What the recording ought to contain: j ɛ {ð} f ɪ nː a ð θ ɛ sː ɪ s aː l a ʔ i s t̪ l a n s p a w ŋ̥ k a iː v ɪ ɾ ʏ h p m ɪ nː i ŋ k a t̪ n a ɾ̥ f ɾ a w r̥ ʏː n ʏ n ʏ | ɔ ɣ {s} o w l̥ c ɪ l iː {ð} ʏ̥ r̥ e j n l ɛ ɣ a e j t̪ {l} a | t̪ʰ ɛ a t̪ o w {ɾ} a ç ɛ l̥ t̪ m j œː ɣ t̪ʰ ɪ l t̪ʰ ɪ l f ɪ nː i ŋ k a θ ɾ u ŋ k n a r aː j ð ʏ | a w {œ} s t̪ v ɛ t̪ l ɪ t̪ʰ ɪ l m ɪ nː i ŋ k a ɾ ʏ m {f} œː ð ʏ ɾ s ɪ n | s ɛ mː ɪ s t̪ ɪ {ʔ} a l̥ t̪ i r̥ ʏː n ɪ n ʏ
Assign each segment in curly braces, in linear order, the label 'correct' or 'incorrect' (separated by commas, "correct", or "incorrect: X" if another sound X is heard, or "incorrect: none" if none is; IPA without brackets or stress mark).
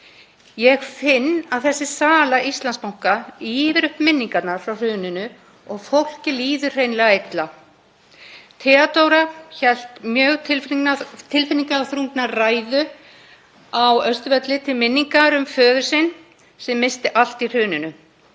incorrect: ɣ, incorrect: f, correct, correct, correct, correct, correct, correct